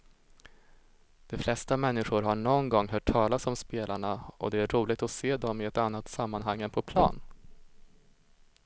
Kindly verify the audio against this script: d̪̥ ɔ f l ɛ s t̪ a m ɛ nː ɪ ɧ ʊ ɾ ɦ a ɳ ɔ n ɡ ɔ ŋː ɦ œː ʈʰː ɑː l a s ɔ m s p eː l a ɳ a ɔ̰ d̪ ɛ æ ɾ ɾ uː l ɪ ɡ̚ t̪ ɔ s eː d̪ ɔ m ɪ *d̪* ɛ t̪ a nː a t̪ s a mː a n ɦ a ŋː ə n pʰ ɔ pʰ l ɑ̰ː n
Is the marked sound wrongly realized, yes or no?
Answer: yes